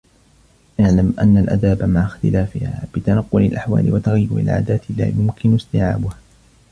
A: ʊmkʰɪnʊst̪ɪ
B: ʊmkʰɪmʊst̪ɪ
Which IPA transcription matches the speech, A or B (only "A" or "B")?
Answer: A